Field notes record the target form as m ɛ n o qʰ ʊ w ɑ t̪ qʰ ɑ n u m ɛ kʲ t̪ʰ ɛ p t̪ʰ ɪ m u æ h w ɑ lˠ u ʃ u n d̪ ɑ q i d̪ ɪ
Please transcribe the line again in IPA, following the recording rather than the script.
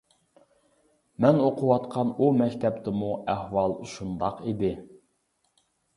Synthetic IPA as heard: m ɛ n o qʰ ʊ w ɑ t̪ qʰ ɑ n u m ɛ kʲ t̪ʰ ɛ p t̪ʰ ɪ m u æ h w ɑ lˠ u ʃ u n d̪ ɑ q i d̪ ɪ